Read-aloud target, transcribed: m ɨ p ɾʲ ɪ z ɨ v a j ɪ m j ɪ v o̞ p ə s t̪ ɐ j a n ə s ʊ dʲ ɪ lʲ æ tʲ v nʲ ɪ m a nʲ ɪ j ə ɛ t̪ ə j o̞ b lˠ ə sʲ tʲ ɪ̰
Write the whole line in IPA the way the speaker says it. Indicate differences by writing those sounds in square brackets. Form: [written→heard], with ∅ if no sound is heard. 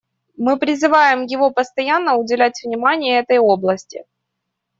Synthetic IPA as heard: m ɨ p ɾʲ ɪ z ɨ v a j ɪ m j ɪ v o̞ p ə s t̪ ɐ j a [n→nː] ə [s→∅] ʊ dʲ ɪ lʲ æ tʲ v nʲ ɪ m a nʲ ɪ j ə ɛ t̪ ə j o̞ b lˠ ə sʲ tʲ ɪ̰